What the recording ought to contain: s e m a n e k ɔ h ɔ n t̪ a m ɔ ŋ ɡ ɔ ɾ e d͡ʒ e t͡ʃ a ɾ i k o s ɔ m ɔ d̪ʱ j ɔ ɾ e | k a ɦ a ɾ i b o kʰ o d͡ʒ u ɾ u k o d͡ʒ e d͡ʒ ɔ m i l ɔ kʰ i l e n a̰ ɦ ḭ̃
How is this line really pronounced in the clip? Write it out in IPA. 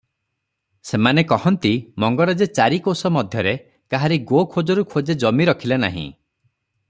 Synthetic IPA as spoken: s e m a n e k ɔ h ɔ n t̪ i m ɔ ŋ ɡ ɔ ɾ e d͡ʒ e t͡ʃ a ɾ i k o s ɔ m ɔ d̪ʱ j ɔ ɾ e | k a ɦ a ɾ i ɡ o kʰ o d͡ʒ ɔ ɾ u kʰ o d͡ʒ e d͡ʒ ɔ m i ɾ ɔ kʰ i l e n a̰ ɦ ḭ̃